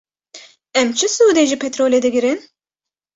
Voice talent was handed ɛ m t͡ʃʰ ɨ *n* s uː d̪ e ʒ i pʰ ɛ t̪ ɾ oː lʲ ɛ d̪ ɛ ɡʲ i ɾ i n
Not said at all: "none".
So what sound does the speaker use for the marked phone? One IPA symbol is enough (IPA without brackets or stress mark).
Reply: none